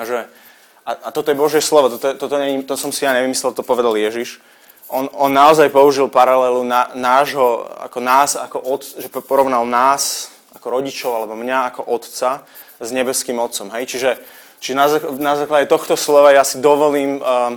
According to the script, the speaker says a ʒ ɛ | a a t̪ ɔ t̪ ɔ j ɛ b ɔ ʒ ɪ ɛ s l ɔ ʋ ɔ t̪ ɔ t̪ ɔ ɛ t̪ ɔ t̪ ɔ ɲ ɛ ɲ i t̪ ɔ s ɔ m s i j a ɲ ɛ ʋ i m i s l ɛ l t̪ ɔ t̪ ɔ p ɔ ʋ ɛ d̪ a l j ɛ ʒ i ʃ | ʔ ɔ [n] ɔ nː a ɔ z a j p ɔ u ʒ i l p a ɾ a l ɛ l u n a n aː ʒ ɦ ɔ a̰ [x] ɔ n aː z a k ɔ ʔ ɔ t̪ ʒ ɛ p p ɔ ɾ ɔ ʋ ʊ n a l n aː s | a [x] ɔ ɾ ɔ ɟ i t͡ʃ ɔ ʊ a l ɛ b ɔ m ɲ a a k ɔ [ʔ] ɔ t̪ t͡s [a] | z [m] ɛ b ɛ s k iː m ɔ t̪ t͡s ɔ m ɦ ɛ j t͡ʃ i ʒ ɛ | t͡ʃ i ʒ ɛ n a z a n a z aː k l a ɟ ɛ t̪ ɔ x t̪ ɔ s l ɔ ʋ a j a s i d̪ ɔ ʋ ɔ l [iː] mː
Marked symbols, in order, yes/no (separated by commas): yes, no, no, yes, yes, no, yes